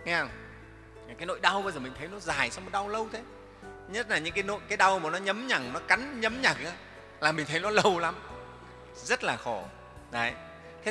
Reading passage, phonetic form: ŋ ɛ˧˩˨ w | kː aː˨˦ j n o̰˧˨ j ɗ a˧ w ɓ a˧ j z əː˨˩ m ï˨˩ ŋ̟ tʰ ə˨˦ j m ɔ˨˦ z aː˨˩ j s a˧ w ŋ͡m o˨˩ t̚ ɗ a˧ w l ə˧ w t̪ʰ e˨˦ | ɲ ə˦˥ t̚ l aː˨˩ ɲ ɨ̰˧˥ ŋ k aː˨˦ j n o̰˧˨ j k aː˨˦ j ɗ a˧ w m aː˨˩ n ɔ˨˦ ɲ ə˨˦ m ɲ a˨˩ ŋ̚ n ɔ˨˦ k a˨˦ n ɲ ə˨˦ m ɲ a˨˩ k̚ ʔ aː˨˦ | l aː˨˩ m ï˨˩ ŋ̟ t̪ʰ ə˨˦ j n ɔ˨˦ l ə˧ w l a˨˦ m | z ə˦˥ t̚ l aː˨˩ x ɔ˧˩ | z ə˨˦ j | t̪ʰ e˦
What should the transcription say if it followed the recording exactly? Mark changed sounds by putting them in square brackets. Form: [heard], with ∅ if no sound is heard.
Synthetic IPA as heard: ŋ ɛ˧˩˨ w | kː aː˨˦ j n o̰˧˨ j ɗ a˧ w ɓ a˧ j z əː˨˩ m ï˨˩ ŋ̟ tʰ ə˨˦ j [n] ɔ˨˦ z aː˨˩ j s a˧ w ŋ͡m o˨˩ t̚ ɗ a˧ w l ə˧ w t̪ʰ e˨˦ | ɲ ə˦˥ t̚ l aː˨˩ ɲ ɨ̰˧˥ ŋ k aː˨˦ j n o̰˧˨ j k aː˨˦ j ɗ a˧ w m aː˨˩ n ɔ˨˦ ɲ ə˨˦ m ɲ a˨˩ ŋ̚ n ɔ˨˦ k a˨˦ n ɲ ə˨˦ m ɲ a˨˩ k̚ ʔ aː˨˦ | l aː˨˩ m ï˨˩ ŋ̟ t̪ʰ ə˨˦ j n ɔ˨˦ l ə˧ w l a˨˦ m | z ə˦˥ t̚ l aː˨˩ x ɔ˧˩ | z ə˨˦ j | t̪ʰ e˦